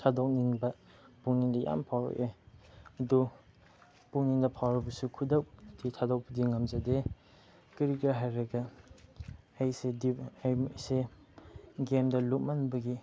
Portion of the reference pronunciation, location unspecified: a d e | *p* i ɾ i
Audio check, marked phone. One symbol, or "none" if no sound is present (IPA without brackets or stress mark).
k